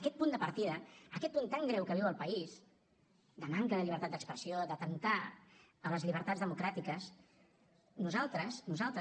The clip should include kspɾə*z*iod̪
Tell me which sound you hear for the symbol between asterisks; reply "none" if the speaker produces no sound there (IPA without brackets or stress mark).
s